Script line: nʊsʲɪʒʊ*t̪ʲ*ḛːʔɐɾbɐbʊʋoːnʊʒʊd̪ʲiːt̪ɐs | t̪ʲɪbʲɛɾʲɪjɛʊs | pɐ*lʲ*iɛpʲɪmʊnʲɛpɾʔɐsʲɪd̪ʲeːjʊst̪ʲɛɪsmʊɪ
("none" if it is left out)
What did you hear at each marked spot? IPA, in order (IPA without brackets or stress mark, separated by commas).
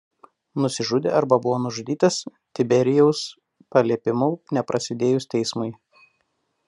d̪ʲ, lʲ